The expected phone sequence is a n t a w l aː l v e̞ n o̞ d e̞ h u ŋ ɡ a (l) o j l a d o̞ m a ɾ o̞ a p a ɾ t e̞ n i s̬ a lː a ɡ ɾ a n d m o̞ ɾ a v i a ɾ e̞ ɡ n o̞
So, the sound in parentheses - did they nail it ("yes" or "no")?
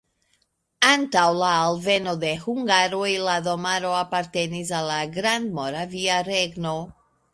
no